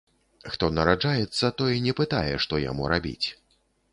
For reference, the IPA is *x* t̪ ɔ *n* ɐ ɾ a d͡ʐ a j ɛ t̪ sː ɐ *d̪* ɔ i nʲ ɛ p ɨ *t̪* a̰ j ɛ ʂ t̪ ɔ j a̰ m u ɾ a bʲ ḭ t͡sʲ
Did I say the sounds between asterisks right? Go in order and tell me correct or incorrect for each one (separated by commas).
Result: correct, correct, incorrect, correct